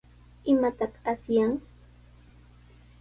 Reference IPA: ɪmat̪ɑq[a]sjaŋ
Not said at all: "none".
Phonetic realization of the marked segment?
a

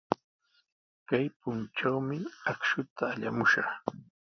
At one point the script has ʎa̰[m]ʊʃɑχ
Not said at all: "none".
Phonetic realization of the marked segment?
m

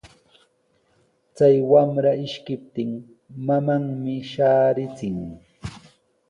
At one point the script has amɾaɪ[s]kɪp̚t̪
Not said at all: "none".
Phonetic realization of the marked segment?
ʃ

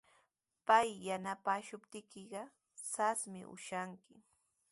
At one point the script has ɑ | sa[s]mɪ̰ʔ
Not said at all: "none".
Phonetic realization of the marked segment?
s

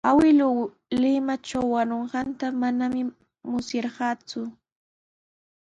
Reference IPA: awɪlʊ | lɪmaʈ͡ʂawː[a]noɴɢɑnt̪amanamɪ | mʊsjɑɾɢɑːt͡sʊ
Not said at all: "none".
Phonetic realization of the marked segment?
a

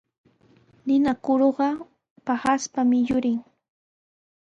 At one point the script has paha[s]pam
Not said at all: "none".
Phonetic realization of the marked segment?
s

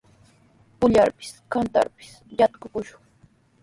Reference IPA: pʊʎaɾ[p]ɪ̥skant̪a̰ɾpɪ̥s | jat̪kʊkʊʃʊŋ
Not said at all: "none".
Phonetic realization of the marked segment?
p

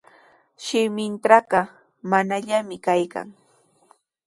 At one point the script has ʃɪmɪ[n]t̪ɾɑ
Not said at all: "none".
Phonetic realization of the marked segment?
n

